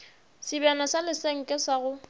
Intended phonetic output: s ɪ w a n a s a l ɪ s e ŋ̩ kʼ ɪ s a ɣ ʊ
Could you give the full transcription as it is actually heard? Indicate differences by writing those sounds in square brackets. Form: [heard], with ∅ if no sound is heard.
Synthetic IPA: s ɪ [b] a n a s a l ɪ s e ŋ̩ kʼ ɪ s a ɣ ʊ